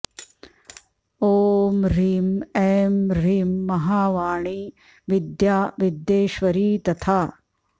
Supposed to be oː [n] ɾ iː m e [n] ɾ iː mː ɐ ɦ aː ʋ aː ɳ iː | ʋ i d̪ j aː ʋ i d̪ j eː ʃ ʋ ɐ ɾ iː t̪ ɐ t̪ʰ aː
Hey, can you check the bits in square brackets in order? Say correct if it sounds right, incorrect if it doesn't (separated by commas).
incorrect, incorrect